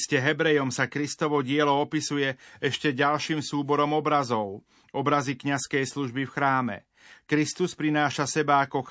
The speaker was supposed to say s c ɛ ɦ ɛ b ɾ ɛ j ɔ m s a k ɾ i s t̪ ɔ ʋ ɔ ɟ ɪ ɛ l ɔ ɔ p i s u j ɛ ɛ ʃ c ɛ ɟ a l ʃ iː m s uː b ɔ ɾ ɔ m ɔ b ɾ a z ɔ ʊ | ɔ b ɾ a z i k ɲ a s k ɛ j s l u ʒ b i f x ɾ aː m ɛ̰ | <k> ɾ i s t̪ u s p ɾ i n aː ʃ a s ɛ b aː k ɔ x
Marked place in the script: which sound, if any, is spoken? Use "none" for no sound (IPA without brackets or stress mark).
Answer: k